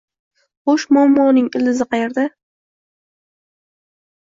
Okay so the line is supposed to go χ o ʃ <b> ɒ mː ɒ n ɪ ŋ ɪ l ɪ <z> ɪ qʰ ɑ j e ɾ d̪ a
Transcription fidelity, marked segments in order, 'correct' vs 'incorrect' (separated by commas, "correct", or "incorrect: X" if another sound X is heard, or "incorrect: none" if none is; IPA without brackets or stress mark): incorrect: m, correct